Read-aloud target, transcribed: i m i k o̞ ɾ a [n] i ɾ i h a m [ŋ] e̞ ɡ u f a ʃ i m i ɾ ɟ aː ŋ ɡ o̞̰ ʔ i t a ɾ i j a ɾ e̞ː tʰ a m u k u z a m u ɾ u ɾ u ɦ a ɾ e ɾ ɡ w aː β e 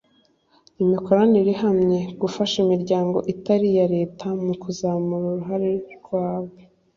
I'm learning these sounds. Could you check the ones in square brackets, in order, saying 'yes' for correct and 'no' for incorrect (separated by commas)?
yes, no